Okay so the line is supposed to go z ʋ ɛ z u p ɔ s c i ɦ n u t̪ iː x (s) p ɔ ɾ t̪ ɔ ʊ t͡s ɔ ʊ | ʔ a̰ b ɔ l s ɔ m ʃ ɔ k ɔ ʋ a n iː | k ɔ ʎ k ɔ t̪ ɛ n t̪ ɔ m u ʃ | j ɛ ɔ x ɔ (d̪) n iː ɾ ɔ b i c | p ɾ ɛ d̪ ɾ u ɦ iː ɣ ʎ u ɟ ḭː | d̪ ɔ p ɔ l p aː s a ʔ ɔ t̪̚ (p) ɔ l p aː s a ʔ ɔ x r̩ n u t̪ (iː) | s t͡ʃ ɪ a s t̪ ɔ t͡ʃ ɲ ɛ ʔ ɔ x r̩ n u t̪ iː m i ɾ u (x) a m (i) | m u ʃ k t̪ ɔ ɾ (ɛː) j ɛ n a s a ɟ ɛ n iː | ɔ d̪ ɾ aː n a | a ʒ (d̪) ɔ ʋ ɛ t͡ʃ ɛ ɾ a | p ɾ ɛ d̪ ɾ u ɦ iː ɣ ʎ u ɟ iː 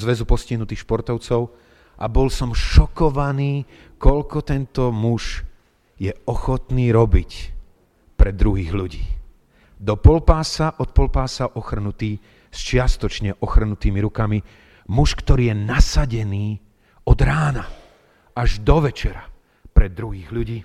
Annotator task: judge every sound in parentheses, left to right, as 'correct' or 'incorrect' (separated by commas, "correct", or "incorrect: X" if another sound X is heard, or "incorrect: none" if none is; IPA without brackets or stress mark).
incorrect: ʃ, incorrect: t̪, correct, correct, incorrect: k, correct, incorrect: iː, correct